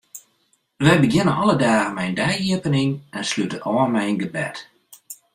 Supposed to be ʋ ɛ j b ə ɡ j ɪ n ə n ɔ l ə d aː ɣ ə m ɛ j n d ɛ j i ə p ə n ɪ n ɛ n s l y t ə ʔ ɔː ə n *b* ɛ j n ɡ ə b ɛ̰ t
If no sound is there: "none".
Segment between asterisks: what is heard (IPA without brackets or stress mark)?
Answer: m